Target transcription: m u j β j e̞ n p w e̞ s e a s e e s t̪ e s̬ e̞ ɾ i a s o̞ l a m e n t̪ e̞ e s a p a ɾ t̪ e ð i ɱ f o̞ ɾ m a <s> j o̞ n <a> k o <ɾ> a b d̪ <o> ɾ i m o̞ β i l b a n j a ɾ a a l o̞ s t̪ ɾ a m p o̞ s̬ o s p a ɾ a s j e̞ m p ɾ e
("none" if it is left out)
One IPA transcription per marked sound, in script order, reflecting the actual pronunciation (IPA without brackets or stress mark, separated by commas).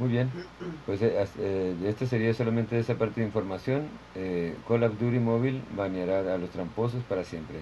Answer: s, e, l, u